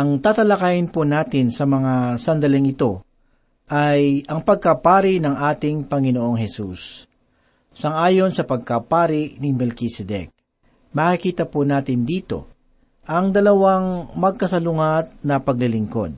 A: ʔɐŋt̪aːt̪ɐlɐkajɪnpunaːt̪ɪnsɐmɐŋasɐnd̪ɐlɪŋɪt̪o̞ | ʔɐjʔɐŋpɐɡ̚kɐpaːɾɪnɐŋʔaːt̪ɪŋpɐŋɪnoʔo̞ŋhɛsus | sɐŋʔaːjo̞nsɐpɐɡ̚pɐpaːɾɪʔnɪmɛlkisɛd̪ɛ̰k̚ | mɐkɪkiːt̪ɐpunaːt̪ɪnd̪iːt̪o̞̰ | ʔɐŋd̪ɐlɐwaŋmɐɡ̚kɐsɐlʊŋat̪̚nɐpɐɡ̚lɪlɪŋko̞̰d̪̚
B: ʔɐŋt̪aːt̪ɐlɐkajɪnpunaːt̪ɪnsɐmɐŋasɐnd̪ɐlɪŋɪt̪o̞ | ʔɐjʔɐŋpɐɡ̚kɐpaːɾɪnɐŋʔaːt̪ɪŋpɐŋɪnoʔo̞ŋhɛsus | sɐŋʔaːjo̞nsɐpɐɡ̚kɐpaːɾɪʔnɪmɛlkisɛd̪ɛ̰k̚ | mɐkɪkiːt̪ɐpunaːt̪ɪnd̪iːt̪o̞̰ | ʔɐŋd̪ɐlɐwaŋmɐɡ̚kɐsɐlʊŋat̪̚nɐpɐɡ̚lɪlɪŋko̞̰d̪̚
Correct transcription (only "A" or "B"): B